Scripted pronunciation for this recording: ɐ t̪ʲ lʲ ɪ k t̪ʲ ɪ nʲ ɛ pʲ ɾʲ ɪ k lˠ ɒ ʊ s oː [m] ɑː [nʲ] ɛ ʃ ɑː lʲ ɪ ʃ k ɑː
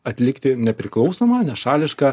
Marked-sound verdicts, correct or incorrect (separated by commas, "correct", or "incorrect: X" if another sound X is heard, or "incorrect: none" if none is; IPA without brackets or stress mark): correct, correct